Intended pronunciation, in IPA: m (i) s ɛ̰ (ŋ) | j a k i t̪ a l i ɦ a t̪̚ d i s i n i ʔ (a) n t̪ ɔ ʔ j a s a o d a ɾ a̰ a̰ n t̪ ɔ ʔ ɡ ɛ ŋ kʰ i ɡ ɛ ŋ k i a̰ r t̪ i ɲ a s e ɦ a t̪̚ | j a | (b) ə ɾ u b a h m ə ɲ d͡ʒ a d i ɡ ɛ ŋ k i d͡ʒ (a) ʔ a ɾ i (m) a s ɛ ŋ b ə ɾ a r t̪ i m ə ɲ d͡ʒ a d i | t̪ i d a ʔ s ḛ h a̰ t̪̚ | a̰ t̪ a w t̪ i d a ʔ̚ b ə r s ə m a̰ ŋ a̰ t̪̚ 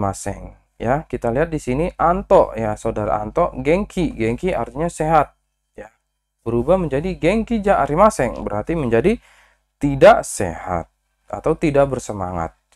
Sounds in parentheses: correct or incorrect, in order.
incorrect: a, correct, correct, correct, correct, correct

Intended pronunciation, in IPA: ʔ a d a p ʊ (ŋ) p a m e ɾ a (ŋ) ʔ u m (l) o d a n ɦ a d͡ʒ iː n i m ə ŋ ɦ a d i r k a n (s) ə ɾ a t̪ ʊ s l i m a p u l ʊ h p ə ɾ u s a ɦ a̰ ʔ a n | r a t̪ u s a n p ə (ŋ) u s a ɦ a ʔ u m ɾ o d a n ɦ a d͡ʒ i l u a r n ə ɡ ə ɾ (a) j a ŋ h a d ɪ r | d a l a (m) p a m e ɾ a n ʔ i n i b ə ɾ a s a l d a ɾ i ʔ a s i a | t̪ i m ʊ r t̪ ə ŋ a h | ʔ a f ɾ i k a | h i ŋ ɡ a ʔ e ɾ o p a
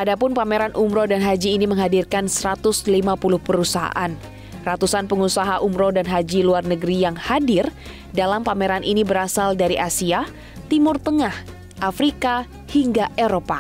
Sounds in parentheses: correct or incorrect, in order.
incorrect: n, incorrect: n, incorrect: ɾ, correct, correct, incorrect: i, correct

